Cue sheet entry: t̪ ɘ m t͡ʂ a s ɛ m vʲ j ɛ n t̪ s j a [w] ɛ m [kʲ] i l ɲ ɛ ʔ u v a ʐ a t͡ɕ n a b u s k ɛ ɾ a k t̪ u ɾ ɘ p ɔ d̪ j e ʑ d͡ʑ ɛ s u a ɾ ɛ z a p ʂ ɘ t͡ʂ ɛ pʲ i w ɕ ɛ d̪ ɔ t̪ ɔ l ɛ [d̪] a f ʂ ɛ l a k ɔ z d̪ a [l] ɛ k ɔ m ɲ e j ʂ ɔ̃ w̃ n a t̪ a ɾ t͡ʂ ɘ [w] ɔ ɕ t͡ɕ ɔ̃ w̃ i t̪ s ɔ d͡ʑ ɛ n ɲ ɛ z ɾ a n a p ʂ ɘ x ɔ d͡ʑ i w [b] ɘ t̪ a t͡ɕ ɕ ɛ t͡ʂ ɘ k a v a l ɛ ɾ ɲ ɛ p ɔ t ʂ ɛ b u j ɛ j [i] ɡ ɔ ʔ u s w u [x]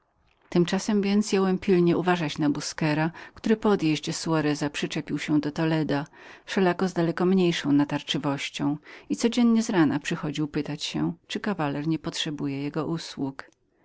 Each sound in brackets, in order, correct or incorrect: correct, incorrect: pʲ, correct, correct, incorrect: v, incorrect: p, incorrect: ɛ, incorrect: k

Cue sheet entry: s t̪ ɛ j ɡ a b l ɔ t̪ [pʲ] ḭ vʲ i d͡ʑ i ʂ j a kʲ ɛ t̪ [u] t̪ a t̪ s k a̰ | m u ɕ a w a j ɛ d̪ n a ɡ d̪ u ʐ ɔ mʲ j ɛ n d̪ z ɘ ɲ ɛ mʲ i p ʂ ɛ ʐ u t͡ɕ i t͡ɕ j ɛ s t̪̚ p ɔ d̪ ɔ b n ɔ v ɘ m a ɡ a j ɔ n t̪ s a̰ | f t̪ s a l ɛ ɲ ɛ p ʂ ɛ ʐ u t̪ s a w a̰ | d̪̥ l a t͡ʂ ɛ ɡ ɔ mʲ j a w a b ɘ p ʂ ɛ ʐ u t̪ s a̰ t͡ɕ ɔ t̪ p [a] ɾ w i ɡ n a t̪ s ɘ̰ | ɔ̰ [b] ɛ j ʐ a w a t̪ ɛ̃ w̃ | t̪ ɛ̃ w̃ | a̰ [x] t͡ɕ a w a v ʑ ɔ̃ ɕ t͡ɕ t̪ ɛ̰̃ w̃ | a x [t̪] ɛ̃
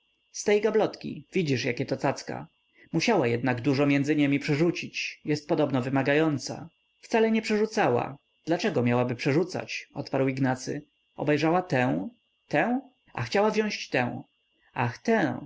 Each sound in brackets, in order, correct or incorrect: incorrect: kʲ, incorrect: ɔ, correct, correct, correct, correct

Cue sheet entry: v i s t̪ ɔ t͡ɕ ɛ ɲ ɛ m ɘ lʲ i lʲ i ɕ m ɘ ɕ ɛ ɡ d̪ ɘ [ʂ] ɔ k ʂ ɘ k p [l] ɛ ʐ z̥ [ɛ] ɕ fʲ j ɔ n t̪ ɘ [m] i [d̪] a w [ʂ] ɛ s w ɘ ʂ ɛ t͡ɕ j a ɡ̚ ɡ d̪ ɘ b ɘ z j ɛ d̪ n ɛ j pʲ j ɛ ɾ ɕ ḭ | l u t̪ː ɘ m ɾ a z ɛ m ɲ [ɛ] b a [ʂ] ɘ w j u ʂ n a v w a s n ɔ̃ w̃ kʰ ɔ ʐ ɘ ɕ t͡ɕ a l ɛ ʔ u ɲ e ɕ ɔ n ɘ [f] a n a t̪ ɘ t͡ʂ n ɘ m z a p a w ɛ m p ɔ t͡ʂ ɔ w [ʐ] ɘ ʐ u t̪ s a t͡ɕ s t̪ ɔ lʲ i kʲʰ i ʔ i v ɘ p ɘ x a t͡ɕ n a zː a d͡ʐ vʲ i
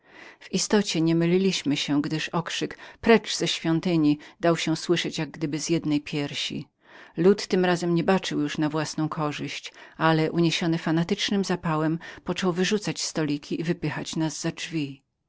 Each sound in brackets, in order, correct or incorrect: correct, incorrect: ɾ, correct, incorrect: ɲ, correct, incorrect: ɕ, correct, incorrect: t͡ʂ, correct, incorrect: v

